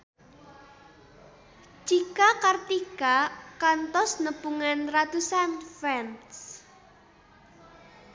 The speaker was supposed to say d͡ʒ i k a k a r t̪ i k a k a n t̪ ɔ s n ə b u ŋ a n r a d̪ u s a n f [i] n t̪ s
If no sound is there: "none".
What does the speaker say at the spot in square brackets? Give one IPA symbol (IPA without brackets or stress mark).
ɛ